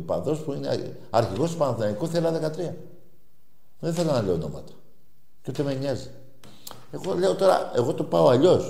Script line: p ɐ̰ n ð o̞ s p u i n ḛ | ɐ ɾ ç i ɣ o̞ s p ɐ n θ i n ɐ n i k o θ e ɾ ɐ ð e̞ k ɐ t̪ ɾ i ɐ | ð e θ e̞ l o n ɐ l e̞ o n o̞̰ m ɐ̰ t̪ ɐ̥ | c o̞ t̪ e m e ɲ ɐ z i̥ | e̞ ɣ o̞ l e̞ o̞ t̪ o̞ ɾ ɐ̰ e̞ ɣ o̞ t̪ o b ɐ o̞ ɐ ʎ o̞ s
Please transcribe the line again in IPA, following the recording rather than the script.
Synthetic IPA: p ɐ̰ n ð o̞ s p u i n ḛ | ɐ ɾ ç i ɣ o̞ s p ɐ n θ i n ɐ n i k o θ e l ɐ ð e̞ k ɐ t̪ ɾ i ɐ | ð e θ e̞ l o n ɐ l e̞ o n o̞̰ m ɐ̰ t̪ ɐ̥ | c o̞ t̪ e m e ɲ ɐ z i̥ | e̞ ɣ o̞ l e̞ o̞ t̪ o̞ ɾ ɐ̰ e̞ ɣ o̞ t̪ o p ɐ o̞ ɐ ʎ o̞ s